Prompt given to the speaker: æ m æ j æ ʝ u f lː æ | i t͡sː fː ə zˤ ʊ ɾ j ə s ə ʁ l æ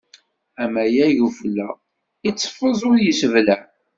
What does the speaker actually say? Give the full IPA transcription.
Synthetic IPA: æ m æ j æ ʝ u f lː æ | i t͡sː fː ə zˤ ʊ ɾ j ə s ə v l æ